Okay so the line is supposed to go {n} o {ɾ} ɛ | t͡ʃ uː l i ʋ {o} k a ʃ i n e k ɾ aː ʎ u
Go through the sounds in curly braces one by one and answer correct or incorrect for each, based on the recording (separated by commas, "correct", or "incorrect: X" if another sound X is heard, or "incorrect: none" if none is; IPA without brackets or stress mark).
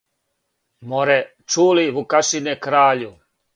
incorrect: m, correct, incorrect: u